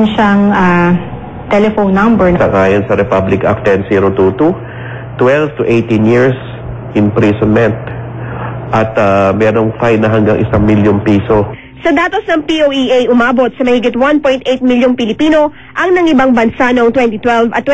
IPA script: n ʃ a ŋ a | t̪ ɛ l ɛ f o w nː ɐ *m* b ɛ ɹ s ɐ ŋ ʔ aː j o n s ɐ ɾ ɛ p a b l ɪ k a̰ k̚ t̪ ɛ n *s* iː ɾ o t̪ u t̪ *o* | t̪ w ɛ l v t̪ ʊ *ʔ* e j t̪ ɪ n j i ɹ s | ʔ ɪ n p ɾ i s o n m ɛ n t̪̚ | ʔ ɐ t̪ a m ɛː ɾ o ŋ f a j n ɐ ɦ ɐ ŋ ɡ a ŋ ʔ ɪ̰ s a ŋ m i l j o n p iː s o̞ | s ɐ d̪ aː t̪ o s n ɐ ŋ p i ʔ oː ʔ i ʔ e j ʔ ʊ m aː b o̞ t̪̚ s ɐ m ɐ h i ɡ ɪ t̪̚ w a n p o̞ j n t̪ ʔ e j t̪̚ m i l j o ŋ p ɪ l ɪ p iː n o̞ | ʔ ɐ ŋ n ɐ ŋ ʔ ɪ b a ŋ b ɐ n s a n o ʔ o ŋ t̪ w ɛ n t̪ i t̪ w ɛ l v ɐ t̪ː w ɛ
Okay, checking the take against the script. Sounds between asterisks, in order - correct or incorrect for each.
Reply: correct, correct, incorrect: u, correct

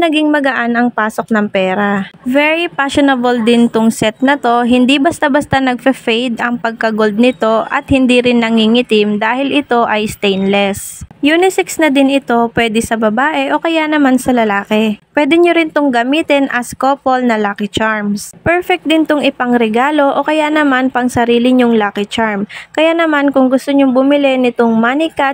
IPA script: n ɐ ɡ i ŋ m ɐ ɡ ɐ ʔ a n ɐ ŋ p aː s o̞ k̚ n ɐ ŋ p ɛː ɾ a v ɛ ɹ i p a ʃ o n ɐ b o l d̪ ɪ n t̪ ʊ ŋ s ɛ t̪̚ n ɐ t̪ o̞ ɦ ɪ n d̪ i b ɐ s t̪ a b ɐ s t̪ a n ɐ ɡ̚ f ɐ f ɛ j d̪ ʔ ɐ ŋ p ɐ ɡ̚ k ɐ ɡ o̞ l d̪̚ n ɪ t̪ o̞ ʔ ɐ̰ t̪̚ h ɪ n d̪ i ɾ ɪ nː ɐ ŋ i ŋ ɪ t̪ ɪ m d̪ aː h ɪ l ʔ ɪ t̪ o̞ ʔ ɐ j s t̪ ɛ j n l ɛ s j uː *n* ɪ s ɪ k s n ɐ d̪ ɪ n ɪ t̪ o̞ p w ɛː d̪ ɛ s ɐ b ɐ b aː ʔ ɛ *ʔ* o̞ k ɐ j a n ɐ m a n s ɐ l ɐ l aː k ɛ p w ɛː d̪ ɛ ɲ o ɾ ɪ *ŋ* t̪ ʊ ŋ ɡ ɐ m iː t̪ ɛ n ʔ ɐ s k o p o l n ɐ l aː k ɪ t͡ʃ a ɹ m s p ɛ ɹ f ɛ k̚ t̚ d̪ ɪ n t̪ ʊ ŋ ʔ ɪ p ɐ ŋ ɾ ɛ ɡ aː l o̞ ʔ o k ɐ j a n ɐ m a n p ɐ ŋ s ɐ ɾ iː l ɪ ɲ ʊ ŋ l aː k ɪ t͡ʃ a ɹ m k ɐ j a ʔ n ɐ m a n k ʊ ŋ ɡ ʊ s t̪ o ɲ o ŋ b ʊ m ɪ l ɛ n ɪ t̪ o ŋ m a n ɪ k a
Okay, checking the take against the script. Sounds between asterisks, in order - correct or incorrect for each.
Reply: correct, correct, incorrect: n

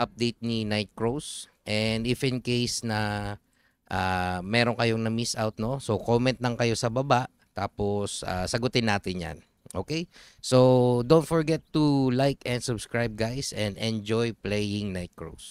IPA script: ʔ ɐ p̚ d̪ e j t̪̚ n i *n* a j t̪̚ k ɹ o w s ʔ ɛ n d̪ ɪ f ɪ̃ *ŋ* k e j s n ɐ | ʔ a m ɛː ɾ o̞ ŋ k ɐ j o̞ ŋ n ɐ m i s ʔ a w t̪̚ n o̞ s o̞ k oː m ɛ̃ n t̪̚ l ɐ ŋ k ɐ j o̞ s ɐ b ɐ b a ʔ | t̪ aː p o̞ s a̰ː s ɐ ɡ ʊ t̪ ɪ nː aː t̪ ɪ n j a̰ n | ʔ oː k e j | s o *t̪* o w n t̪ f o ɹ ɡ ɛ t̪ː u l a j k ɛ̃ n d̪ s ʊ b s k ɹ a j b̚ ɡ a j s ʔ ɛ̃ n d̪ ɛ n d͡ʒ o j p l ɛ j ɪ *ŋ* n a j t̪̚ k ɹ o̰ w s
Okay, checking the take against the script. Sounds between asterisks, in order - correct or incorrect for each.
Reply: correct, incorrect: n, incorrect: d̪, correct

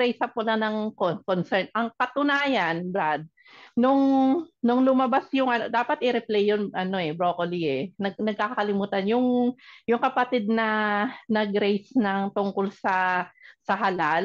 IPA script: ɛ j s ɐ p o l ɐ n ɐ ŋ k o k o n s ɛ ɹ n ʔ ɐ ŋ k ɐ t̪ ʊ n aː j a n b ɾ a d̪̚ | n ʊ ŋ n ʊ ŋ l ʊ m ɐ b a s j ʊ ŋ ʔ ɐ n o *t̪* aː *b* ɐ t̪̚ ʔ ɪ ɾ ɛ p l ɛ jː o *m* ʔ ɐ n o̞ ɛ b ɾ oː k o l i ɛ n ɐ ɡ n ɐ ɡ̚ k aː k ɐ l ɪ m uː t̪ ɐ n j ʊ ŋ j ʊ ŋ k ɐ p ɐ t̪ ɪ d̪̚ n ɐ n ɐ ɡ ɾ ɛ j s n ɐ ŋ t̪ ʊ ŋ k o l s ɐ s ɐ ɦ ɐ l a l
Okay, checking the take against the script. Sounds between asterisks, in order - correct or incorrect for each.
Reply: incorrect: d̪, incorrect: p, incorrect: n

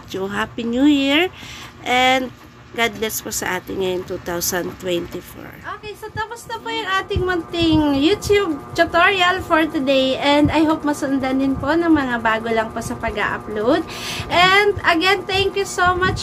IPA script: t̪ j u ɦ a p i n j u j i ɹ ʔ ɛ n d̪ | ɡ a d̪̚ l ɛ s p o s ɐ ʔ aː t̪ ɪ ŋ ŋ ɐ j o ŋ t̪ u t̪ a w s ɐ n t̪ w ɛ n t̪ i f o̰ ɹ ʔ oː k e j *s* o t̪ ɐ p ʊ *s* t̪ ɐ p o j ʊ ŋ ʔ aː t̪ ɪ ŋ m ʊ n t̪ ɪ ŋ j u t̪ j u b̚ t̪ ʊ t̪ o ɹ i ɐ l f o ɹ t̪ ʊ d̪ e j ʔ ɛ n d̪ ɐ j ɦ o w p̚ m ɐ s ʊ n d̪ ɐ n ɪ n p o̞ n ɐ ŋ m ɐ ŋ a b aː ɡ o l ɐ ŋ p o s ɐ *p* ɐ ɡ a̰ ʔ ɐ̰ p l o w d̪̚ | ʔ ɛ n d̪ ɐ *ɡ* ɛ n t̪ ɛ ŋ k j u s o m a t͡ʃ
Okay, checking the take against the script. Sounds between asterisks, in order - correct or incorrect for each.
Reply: correct, correct, correct, correct

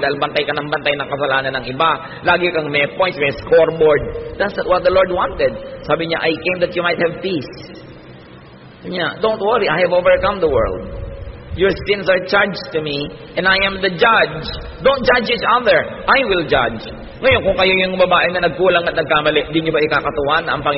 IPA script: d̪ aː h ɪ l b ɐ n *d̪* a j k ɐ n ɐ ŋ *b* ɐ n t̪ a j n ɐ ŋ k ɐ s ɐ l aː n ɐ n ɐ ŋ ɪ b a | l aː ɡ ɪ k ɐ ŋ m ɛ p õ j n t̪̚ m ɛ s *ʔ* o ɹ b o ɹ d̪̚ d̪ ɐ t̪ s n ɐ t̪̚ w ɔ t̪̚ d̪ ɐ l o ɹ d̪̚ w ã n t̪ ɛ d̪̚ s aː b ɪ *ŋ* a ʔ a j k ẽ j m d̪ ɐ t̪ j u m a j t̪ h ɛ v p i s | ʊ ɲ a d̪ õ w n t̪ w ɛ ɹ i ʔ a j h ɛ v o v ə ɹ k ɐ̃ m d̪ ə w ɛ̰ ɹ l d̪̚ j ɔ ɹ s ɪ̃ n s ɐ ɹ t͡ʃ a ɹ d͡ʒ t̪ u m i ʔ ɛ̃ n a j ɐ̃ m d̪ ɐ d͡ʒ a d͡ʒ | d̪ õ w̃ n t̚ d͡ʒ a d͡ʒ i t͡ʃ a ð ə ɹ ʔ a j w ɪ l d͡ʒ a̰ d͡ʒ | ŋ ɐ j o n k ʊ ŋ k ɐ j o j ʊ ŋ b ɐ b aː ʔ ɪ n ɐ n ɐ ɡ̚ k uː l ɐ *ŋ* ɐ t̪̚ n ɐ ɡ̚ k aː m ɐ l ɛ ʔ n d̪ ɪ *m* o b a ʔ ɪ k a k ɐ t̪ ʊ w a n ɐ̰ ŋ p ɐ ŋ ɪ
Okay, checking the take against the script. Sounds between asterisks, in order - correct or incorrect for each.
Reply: incorrect: t̪, correct, incorrect: k, incorrect: ɲ, correct, incorrect: ɲ

